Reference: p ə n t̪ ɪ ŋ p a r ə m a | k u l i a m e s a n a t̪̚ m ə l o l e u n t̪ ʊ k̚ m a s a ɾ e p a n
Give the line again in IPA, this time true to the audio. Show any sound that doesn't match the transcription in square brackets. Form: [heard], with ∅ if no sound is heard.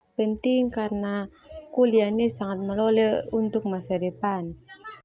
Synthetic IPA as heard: p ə n t̪ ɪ ŋ [k] a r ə [n] a | k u l i a [n] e s a [ŋ] a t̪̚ m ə l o l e u n t̪ ʊ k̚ m a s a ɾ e p a n